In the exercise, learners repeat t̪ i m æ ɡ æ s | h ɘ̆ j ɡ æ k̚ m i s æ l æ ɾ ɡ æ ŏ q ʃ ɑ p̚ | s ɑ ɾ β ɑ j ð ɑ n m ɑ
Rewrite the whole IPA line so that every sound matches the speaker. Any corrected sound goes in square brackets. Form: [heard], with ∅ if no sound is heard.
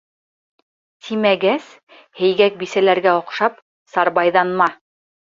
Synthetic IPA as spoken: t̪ i m æ ɡ æ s | h ɘ̆ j ɡ æ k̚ [b] i s æ l æ ɾ ɡ æ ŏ q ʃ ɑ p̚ | s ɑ ɾ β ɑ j ð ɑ n m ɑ